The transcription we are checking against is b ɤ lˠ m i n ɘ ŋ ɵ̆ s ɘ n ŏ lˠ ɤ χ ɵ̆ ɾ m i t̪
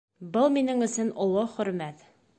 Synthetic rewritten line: b ɤ lˠ m i n ɘ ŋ ɵ̆ s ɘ n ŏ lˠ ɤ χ ɵ̆ ɾ m æ t̪